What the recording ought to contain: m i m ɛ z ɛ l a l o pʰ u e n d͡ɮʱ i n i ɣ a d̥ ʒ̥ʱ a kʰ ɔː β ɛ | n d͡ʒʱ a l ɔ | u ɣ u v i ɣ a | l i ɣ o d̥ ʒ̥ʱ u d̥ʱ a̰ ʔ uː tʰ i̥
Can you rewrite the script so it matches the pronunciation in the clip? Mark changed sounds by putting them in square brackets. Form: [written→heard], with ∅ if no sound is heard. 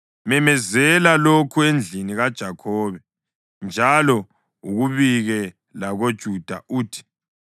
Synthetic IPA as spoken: m [i→ɛ] m ɛ z ɛ l a l o [pʰ→kʰ] u e n d͡ɮʱ i n i ɣ a d̥ ʒ̥ʱ a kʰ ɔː β ɛ | n d͡ʒʱ a l ɔ | u ɣ u [v→β] i ɣ [a→ɛ] | l [i→a] ɣ o d̥ ʒ̥ʱ u d̥ʱ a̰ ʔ uː tʰ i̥